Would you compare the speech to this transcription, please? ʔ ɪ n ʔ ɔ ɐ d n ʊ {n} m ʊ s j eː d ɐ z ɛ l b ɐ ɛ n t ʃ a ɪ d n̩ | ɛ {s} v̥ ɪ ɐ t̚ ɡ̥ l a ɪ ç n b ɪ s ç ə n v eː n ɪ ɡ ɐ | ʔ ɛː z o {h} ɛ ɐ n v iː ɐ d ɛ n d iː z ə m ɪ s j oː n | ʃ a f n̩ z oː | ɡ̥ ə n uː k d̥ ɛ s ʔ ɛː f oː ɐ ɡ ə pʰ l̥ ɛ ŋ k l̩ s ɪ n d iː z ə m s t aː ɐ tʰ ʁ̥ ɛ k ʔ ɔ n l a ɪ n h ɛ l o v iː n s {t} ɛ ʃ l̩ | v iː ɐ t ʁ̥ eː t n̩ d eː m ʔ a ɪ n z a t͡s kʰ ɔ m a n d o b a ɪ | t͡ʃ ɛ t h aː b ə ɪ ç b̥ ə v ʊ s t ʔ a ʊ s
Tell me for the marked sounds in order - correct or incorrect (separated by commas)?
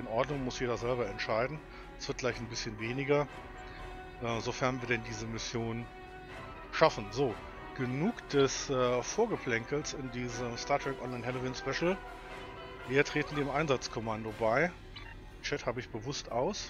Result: incorrect, correct, incorrect, incorrect